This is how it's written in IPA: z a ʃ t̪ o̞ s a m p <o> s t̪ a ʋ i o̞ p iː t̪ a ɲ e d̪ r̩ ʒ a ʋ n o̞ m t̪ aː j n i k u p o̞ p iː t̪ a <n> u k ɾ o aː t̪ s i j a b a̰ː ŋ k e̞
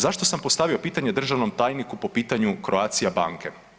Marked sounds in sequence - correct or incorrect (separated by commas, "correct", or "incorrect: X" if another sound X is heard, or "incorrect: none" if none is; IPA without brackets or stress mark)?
correct, incorrect: ɲ